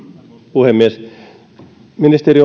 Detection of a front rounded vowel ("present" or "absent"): absent